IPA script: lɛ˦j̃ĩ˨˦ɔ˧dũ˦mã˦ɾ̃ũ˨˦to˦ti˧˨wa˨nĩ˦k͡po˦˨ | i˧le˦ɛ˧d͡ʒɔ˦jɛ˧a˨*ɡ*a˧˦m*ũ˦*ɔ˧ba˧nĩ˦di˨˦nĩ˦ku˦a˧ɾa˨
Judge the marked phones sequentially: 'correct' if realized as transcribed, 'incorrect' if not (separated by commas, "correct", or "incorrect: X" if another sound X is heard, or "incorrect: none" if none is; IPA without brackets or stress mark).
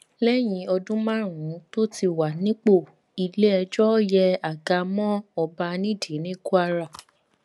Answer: correct, incorrect: ɔ̃˦